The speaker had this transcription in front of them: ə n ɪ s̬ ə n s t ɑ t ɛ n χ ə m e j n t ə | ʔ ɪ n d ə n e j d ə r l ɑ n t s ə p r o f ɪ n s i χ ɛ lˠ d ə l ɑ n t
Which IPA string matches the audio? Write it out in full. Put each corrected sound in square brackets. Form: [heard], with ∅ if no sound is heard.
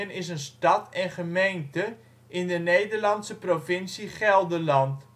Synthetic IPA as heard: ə n ɪ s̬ ə n s t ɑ t ɛ n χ ə m e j n t ə | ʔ ɪ n d ə n e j d ə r l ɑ n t s ə p r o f ɪ n s i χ ɛ lˠ d ə l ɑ n t